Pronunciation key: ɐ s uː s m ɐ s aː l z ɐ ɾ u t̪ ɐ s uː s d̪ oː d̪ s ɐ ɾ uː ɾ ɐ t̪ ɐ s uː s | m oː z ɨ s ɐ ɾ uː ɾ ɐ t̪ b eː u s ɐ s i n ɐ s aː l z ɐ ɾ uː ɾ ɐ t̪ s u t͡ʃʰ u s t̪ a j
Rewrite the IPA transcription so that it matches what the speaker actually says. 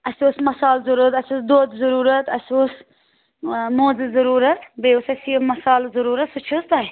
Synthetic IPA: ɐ s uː s m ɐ s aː l z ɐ ɾ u t̪ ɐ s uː s d̪ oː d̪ z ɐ ɾ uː ɾ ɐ t̪ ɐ s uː s | m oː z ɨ z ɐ ɾ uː ɾ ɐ t̪ b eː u s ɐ s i m ɐ s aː l z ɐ ɾ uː ɾ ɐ t̪ s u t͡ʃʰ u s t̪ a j

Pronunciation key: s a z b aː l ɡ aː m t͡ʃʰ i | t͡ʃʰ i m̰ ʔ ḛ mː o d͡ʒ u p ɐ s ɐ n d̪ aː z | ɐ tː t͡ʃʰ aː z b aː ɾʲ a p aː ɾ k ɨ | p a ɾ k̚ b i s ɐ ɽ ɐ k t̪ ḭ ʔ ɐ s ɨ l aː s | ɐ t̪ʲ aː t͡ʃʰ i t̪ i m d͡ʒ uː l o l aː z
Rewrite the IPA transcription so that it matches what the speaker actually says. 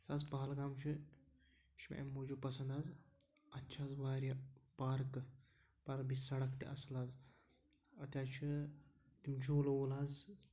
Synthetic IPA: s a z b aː l ɡ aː m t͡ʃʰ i | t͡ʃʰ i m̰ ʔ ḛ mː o d͡ʒ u p ɐ s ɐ n d̪ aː z | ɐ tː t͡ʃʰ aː z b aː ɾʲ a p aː ɾ k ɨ | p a ɾ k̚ b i s ɐ ɽ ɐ k t̪ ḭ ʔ ɐ s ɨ l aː z | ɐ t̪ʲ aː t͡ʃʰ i t̪ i m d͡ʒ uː l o l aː z

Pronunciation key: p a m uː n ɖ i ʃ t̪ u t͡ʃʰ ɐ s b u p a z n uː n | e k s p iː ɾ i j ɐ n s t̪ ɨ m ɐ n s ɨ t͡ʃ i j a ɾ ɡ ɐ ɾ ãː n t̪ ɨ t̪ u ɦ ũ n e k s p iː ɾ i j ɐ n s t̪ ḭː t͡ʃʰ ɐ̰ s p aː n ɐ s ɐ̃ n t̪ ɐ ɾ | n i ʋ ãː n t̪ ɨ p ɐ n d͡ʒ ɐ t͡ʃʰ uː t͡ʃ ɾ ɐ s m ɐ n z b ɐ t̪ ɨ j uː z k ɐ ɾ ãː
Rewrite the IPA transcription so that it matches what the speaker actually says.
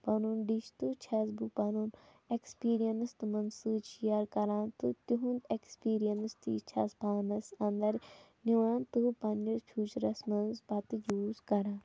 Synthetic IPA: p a n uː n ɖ i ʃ t̪ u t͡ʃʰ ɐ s b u p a n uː n | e k s p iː ɾ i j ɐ n s t̪ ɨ m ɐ n s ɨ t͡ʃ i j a ɾ k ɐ ɾ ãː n t̪ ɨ t̪ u ɦ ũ n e k s p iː ɾ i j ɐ n s t̪ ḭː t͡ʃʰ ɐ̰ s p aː n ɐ s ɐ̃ n d̪ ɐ ɾ | n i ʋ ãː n t̪ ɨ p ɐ n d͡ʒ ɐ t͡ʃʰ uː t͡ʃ ɾ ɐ s m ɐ n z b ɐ t̪ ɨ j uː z k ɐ ɾ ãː

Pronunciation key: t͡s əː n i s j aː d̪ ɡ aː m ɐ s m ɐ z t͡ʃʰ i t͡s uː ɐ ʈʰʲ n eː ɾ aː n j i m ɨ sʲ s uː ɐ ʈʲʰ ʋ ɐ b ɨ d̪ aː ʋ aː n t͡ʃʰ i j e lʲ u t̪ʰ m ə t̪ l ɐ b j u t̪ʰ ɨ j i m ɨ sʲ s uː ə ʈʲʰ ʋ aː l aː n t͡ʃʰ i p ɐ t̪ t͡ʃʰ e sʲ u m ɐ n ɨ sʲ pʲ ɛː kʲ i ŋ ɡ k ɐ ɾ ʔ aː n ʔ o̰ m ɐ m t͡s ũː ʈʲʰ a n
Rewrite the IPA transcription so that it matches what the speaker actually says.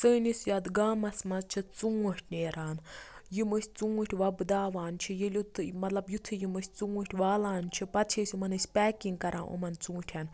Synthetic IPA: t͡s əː n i s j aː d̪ ɡ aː m ɐ s m ɐ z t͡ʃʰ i t͡s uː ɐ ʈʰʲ n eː ɾ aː n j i m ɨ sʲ t͡s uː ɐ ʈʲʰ ʋ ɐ b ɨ d̪ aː ʋ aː n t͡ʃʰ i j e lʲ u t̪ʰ m ɐ t̪ l ɐ b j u t̪ʰ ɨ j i m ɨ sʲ t͡s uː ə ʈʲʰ ʋ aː l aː n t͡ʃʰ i p ɐ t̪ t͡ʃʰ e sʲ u m ɐ n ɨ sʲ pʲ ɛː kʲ i ŋ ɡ k ɐ ɾ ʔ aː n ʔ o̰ m ɐ n t͡s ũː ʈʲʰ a n

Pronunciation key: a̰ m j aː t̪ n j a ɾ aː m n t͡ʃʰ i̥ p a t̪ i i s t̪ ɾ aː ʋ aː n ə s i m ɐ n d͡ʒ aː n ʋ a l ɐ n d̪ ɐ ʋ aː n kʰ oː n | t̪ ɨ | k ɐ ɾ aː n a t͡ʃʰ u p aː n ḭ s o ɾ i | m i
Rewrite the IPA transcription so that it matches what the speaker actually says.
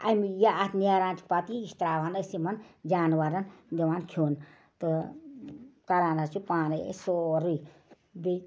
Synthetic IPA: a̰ m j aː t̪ n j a ɾ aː n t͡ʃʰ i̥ p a t̪ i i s t̪ ɾ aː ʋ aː n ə s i m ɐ n d͡ʒ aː n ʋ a ɾ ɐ n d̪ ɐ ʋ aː n kʰ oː n | t̪ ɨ | k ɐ ɾ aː n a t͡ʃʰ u p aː n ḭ s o ɾ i | b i

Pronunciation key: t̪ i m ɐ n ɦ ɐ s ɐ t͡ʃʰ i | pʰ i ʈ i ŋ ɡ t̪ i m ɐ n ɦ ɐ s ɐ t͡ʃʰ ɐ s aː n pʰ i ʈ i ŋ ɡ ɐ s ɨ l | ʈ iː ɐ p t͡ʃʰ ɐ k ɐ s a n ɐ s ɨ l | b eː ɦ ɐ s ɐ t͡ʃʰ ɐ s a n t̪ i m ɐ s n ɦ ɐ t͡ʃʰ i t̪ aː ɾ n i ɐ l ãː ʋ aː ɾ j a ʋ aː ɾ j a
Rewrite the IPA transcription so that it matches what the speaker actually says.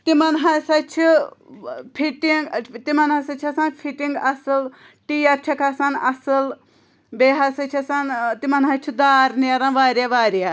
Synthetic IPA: t̪ i m ɐ n ɦ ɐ s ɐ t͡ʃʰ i | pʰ i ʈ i ŋ ɡ t̪ i m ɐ n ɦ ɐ s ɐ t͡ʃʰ ɐ s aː n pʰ i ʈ i ŋ ɡ ɐ s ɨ l | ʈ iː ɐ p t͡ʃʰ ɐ k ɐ s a n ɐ s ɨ l | b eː ɦ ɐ s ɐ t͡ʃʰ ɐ s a n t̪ i m ɐ n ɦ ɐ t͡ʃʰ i d̪ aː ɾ n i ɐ ɾ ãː ʋ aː ɾ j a ʋ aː ɾ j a

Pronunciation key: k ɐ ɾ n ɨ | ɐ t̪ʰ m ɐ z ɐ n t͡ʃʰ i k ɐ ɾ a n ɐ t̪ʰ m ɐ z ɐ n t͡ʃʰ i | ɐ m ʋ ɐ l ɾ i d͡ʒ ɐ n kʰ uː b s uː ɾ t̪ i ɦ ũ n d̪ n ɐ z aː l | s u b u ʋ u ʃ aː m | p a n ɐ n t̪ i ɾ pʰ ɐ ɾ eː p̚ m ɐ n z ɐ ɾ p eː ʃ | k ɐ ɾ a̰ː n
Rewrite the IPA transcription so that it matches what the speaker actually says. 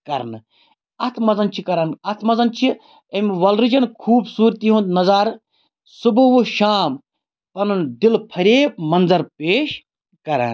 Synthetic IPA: k ɐ ɾ n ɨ | ɐ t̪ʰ m ɐ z ɐ n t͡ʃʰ i k ɐ ɾ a n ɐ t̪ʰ m ɐ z ɐ n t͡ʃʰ i | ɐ m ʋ ɐ l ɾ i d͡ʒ ɐ n kʰ uː b s uː ɾ t̪ i ɦ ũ n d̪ n ɐ z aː ɾ | s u b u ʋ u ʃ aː m | p ɐ n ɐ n d̪ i l pʰ ɐ ɾ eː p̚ m ɐ n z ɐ ɾ p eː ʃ | k ɐ ɾ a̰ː n

